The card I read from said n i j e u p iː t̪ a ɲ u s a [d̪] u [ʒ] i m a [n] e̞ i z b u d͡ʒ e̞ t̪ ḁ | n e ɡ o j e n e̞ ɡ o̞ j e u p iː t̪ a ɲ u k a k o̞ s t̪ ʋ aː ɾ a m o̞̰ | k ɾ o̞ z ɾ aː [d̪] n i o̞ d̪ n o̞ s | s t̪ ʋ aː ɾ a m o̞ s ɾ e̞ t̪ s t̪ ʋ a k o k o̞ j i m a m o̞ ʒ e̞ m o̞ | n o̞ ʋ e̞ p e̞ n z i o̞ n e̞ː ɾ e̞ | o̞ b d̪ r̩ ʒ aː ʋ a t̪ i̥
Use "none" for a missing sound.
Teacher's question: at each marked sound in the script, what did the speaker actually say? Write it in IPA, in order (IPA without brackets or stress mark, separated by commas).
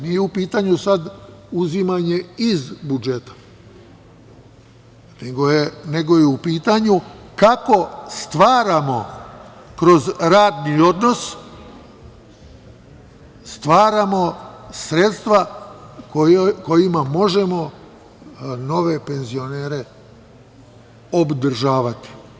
d̪, z, ɲ, d̪